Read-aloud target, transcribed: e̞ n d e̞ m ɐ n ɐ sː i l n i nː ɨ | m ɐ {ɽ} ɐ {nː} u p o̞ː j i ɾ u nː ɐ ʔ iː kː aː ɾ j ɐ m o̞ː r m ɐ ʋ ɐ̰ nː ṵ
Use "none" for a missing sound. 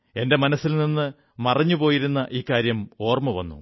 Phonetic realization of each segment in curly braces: r, ɲː

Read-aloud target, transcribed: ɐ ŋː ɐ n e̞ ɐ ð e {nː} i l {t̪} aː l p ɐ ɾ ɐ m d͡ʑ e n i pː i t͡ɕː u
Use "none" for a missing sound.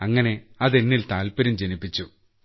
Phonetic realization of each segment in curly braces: nː, t̪

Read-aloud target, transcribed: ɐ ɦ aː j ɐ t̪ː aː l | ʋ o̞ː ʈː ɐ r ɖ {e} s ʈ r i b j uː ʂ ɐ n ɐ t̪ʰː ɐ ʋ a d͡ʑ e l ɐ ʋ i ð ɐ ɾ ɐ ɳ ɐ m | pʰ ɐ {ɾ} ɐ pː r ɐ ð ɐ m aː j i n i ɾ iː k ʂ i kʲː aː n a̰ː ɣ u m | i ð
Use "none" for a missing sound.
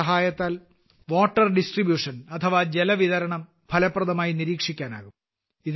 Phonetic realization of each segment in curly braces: i, l

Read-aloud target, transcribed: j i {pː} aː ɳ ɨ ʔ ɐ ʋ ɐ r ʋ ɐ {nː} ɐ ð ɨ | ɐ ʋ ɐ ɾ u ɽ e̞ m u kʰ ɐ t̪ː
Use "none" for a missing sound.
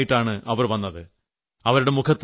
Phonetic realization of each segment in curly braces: ʈː, nː

